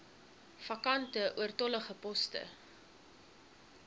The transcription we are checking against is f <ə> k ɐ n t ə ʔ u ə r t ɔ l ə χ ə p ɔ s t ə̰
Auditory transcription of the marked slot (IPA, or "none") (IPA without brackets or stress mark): ɐ